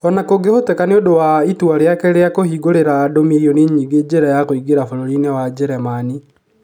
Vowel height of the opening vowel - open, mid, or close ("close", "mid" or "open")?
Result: mid